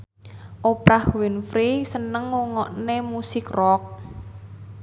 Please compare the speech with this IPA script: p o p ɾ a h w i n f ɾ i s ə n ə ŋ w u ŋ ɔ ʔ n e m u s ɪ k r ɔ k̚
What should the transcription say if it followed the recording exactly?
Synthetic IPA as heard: ʔ o p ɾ a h w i n f ɾ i s ə n ə ŋ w u ŋ ɔ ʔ n e m u s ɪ k r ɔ k̚